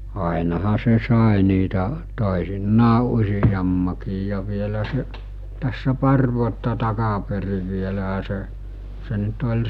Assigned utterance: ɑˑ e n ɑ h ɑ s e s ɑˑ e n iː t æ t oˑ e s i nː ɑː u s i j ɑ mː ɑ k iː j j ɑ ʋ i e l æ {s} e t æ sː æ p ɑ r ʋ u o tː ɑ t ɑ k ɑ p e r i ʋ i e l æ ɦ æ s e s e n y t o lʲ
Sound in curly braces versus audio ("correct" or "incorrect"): correct